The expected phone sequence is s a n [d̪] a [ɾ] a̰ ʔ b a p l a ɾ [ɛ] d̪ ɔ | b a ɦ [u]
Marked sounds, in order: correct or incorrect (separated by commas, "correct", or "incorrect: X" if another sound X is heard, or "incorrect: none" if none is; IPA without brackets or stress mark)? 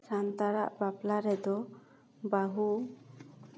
incorrect: t̪, correct, correct, correct